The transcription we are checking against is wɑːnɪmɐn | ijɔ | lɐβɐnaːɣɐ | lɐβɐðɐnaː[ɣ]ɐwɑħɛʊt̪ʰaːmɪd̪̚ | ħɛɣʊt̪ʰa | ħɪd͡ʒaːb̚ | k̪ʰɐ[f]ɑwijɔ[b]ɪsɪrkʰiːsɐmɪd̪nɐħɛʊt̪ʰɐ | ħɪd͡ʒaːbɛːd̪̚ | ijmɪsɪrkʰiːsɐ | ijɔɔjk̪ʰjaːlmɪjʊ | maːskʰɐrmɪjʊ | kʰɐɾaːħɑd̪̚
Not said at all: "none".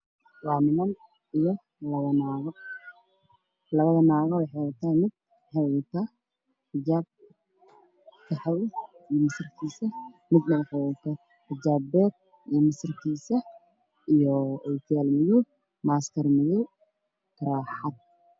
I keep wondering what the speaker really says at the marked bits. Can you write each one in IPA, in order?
ɣ, ħ, m

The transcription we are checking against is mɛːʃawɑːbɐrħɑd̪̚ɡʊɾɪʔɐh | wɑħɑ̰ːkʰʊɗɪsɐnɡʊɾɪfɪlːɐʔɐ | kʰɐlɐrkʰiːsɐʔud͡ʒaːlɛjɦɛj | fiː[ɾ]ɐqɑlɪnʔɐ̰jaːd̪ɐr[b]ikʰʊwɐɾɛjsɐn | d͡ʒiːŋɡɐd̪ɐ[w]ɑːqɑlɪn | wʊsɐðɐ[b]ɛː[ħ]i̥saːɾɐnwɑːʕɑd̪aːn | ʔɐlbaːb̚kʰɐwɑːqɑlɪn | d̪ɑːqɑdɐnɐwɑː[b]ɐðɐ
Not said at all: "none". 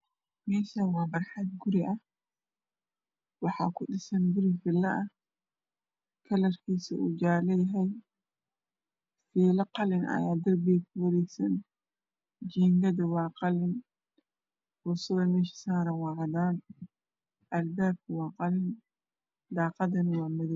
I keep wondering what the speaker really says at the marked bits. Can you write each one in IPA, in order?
l, b, w, m, ʃ, m

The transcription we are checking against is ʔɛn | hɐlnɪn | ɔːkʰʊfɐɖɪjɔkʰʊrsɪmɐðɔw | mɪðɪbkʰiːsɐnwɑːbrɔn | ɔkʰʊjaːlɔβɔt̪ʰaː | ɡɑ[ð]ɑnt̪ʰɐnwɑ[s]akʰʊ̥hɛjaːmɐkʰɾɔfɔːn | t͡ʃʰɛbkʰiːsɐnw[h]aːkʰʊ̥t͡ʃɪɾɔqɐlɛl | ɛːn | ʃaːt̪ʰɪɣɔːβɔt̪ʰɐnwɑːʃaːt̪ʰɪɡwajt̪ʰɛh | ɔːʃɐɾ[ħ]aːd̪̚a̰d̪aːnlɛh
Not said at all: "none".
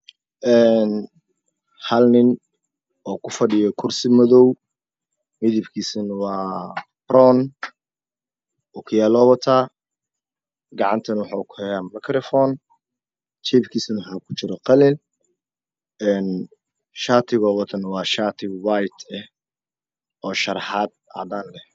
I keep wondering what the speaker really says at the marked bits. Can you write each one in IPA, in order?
ʕ, ħ, ħ, ħ

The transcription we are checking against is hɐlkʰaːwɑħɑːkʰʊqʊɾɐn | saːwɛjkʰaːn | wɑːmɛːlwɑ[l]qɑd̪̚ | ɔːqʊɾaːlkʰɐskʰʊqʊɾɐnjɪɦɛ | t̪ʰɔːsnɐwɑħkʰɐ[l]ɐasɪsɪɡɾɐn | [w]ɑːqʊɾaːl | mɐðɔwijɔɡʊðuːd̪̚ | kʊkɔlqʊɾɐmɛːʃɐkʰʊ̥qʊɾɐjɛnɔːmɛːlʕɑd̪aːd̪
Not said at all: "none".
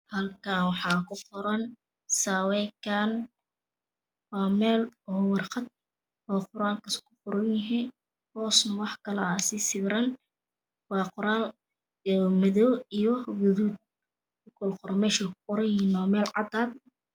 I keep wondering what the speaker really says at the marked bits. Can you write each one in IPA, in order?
r, l, w

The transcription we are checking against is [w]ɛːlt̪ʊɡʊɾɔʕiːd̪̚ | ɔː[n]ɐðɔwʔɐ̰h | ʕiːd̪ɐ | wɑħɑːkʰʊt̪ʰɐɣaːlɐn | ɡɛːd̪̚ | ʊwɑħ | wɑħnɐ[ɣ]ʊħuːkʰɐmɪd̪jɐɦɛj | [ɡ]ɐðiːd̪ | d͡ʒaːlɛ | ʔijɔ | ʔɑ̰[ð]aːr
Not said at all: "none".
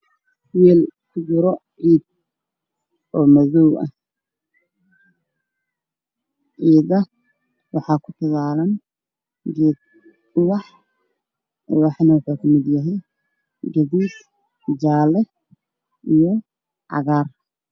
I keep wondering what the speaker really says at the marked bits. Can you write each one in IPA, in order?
w, m, w, ɡ, ɣ

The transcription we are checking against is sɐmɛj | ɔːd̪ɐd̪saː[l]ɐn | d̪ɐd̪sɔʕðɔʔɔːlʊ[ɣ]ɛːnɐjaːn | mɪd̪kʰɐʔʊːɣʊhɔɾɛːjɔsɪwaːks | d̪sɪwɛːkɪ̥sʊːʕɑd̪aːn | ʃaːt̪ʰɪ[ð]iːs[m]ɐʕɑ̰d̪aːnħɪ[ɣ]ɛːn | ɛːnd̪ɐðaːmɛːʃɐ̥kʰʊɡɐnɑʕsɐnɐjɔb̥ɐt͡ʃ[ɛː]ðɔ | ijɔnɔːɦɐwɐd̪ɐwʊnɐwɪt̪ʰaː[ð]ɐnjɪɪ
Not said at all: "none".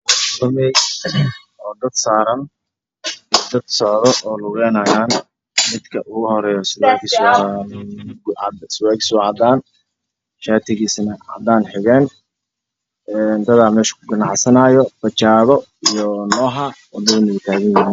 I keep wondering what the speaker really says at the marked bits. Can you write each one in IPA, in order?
ɾ, ɣ, ɣ, n, ɣ, aː, ɣ

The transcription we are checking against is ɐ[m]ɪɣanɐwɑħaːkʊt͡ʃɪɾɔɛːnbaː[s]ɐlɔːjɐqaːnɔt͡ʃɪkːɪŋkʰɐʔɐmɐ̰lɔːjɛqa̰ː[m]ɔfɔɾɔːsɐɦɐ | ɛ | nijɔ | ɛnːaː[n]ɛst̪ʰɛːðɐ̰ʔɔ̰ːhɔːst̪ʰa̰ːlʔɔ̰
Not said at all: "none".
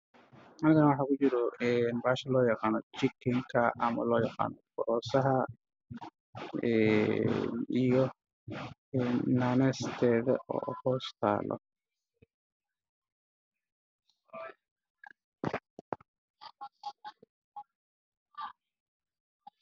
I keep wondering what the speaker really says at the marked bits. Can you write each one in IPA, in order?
n, ʃ, n, n

